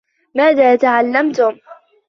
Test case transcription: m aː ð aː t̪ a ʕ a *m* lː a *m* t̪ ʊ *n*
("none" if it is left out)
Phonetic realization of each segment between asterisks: none, m, m

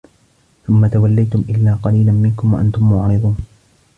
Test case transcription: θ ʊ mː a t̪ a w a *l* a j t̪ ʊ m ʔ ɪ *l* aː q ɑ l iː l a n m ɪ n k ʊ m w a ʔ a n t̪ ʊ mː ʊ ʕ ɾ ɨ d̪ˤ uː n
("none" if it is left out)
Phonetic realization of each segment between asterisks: lː, lː

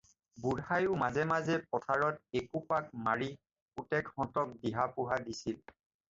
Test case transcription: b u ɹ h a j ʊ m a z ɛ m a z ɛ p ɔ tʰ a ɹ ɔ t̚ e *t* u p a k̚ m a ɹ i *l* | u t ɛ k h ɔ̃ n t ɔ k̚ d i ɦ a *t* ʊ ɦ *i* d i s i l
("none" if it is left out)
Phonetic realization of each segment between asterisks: k, none, p, a

